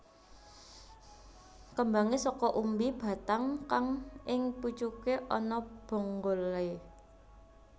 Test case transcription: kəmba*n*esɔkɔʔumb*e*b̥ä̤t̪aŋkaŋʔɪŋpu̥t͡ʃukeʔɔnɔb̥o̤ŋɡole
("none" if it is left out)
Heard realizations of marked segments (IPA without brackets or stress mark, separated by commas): ŋ, i